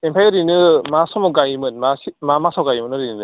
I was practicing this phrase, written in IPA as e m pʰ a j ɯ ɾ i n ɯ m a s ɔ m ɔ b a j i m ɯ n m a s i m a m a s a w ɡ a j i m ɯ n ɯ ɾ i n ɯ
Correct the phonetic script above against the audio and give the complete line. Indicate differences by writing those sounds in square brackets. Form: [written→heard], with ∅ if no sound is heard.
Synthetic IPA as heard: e m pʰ a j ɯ ɾ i n ɯ m a s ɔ m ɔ [b→ɡ] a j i m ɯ n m a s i m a m a s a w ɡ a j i m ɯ n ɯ ɾ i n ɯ